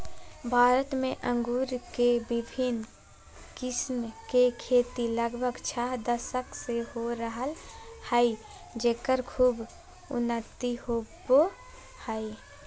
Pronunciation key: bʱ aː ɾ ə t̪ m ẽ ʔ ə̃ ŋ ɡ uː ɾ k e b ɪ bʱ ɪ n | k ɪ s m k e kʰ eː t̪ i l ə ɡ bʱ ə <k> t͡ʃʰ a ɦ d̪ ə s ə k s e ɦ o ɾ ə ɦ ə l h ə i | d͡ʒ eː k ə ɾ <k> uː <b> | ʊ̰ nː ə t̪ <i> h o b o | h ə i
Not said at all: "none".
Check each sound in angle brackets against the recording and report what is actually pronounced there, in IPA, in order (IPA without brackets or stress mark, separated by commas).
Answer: ɡ, kʰ, b, i